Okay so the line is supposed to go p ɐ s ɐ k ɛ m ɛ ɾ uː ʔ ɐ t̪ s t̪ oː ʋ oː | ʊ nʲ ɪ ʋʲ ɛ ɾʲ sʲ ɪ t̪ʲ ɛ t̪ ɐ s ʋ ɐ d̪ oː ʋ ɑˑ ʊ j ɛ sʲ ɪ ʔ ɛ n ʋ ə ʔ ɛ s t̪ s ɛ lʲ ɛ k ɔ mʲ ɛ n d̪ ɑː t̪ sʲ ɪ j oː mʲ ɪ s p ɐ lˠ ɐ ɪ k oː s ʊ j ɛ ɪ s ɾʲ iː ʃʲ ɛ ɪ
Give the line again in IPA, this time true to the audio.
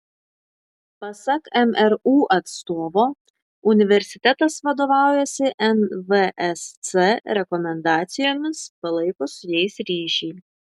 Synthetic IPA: p ɐ s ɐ k ɛ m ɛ ɾ uː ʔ ɐ t̪ s t̪ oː ʋ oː | ʊ nʲ ɪ ʋʲ ɛ ɾʲ sʲ ɪ t̪ʲ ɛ t̪ ɐ s ʋ ɐ d̪ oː ʋ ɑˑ ʊ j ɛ sʲ ɪ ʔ ɛ n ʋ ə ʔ ɛ s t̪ s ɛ ɾʲ ɛ k ɔ mʲ ɛ n d̪ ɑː t̪ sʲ ɪ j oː mʲ ɪ s p ɐ lˠ ɐ ɪ k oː s ʊ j ɛ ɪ s ɾʲ iː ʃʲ ɛ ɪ